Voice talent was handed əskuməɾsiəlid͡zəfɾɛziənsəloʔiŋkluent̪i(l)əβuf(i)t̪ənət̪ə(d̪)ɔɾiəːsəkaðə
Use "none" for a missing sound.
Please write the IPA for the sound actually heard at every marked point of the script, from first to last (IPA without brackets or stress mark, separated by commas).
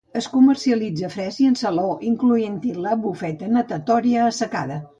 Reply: l, ɛ, t̪